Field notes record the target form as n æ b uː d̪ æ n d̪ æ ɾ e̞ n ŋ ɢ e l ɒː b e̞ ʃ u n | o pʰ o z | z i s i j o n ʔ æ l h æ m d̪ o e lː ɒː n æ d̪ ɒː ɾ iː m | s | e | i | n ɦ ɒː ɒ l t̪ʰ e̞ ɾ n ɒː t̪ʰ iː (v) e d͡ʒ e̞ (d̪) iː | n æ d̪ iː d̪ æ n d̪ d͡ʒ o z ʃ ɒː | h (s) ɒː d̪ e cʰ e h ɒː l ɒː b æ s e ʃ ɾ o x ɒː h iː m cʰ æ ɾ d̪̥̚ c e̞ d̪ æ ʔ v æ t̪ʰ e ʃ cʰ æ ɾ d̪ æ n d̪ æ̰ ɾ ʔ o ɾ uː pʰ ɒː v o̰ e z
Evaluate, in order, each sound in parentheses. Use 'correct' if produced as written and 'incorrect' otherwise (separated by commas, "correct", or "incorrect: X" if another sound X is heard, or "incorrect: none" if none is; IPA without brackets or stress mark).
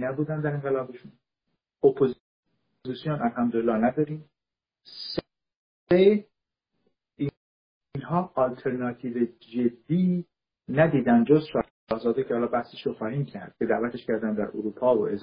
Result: correct, incorrect: d̪ː, incorrect: z